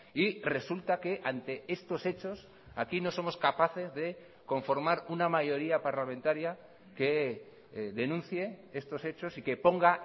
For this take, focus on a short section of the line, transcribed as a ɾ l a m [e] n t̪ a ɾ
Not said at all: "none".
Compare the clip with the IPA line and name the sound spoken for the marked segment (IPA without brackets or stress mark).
ẽ